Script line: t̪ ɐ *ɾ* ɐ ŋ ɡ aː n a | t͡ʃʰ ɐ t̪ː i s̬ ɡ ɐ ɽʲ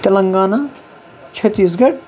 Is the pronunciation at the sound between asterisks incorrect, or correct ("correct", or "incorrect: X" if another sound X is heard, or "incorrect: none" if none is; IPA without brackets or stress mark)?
incorrect: l